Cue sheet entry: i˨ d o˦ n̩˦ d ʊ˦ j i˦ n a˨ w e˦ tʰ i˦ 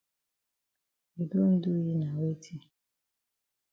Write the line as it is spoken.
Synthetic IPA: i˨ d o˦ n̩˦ d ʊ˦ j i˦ n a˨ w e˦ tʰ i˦